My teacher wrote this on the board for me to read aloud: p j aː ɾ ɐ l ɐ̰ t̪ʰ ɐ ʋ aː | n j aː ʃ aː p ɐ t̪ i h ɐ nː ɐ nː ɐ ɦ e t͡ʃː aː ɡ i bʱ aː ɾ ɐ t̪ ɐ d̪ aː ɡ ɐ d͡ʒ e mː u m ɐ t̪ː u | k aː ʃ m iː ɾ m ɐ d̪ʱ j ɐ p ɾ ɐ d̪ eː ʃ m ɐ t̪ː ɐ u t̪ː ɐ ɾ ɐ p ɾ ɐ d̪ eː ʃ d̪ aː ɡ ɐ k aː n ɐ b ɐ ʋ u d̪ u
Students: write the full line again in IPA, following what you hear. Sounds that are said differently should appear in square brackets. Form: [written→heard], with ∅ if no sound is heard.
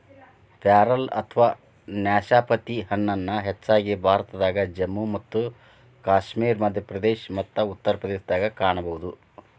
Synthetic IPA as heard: p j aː ɾ ɐ l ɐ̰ t̪ʰ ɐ ʋ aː | n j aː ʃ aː p ɐ t̪ i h ɐ nː ɐ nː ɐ ɦ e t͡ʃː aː ɡ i bʱ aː ɾ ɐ t̪ ɐ d̪ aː ɡ ɐ d͡ʒ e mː u m ɐ t̪ː u | k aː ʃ m iː ɾ m ɐ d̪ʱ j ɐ p ɾ ɐ d̪ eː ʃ m ɐ t̪ː ɐ u t̪ː ɐ ɾ ɐ p ɾ ɐ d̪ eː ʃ d̪ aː ɡ ɐ k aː [n→ɳ] ɐ b ɐ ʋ u d̪ u

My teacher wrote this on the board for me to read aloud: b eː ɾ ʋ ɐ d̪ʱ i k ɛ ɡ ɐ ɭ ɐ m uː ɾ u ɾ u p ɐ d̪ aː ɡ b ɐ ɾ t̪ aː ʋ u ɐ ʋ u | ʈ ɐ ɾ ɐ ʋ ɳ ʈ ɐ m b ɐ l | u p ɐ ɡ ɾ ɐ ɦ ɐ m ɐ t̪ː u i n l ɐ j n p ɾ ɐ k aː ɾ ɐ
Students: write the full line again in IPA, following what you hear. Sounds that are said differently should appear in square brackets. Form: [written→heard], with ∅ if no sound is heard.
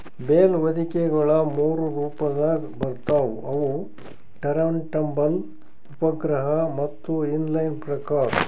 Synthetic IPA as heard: b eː [ɾ→l] ʋ ɐ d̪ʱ i k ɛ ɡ ɐ ɭ ɐ m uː ɾ u ɾ [u→uː] p ɐ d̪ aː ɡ b ɐ ɾ t̪ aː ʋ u ɐ ʋ u | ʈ ɐ ɾ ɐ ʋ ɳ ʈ ɐ m b ɐ l | u p ɐ ɡ ɾ ɐ ɦ ɐ m ɐ t̪ː u i n l ɐ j n p ɾ ɐ k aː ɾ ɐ

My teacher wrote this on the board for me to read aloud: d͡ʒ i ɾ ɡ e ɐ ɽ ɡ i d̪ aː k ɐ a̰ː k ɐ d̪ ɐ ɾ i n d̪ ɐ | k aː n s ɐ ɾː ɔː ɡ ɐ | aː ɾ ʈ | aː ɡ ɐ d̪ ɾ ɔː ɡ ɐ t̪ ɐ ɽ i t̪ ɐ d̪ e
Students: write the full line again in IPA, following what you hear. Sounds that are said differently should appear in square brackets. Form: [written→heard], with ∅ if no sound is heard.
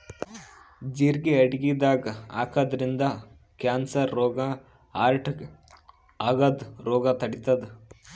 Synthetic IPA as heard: d͡ʒ i ɾ ɡ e ɐ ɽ ɡ i d̪ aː [k→ɡ] ɐ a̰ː k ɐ d̪ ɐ ɾ i n d̪ ɐ | k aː n s ɐ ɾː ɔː ɡ ɐ | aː ɾ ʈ | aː ɡ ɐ d̪ ɾ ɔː ɡ ɐ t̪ ɐ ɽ i t̪ ɐ d̪ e

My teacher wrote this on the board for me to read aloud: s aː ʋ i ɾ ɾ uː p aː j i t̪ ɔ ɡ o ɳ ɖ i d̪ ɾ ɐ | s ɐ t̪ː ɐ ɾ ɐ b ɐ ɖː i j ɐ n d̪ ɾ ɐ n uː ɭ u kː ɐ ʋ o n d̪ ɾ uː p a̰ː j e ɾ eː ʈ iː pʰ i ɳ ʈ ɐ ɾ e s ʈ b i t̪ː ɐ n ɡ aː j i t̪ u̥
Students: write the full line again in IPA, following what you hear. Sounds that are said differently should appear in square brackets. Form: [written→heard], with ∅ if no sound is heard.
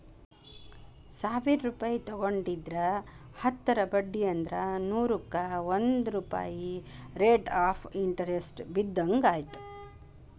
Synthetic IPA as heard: s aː ʋ i ɾ ɾ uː p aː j i t̪ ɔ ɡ o ɳ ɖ i d̪ ɾ ɐ | [s→h] ɐ t̪ː ɐ ɾ ɐ b ɐ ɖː i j ɐ n d̪ ɾ ɐ n uː [ɭ→ɾ] u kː ɐ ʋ o n d̪ ɾ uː p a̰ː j [e→i] ɾ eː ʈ [iː→aː] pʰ i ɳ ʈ ɐ ɾ e s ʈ b i [t̪ː→d̪ː] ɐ [n→ŋ] ɡ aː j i t̪ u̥

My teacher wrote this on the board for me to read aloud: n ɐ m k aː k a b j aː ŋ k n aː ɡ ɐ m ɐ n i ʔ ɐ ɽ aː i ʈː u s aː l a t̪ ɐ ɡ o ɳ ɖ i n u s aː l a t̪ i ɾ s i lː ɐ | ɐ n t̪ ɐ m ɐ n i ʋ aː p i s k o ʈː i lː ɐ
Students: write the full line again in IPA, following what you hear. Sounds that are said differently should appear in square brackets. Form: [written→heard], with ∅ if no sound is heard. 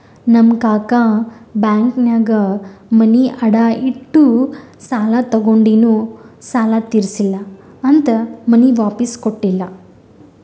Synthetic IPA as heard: n ɐ m k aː k a b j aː ŋ k n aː ɡ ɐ m ɐ n i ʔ ɐ ɽ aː i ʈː u s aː l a t̪ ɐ ɡ o ɳ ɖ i n u s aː l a t̪ i ɾ s i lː ɐ | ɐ n t̪ ɐ m ɐ n i ʋ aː p i s k o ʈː i lː ɐ

